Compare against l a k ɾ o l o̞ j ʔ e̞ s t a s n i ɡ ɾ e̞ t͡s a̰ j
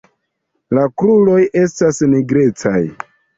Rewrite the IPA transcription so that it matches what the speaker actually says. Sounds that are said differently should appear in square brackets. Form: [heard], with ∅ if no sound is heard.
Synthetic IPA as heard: l a k ɾ [u] l o̞ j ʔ e̞ s t a s n i ɡ ɾ e̞ t͡s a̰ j